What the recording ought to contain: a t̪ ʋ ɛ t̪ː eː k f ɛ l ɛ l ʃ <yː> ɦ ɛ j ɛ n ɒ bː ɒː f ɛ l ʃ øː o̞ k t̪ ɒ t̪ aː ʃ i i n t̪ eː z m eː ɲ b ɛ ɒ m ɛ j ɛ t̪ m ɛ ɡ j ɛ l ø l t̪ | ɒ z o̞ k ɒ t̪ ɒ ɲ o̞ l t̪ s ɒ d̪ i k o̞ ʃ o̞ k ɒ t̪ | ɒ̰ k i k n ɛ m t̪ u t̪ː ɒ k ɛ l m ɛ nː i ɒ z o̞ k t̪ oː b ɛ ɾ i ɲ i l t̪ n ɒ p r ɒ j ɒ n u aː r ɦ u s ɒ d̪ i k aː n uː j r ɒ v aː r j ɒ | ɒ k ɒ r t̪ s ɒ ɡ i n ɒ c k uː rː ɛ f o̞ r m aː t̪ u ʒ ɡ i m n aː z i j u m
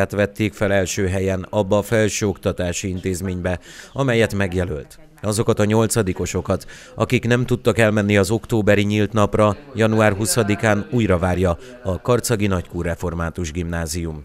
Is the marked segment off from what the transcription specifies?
yes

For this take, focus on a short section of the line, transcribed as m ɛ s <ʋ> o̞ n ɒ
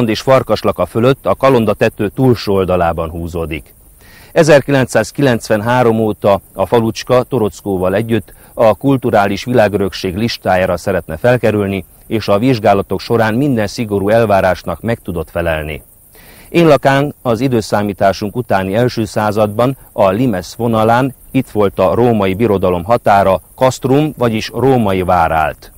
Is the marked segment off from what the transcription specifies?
no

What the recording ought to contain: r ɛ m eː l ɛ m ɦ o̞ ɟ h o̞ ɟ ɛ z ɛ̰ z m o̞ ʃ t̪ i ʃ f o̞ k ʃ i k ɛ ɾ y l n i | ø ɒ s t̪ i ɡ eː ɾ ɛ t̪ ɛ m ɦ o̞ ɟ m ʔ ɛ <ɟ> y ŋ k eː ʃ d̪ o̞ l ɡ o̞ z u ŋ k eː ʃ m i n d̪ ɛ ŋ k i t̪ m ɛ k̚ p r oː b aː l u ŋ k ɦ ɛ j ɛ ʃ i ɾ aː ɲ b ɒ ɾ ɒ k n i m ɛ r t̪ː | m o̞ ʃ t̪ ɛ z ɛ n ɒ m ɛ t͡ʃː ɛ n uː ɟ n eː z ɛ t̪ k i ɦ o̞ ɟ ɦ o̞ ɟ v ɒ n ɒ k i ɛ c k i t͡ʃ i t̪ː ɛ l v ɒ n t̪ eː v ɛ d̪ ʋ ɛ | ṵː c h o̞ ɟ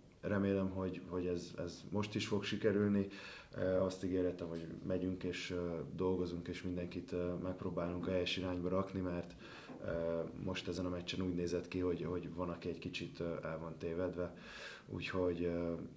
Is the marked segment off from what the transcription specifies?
no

